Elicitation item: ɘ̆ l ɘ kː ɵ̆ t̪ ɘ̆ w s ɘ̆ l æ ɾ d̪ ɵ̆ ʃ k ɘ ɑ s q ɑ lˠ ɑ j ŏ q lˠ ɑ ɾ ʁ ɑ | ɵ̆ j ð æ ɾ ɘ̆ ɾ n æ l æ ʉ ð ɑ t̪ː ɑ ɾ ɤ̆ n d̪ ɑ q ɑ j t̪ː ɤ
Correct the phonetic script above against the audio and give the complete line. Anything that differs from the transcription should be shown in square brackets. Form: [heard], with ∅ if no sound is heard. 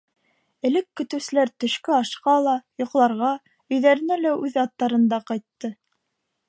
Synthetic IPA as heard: ɘ̆ l ɘ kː ɵ̆ t̪ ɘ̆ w s ɘ̆ l æ ɾ [t̪] ɵ̆ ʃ k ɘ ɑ [ʃ] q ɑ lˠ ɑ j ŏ q lˠ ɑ ɾ ʁ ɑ | ɵ̆ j ð æ ɾ ɘ̆ [∅] n æ l æ ʉ ð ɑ t̪ː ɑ ɾ ɤ̆ n d̪ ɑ q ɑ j t̪ː ɤ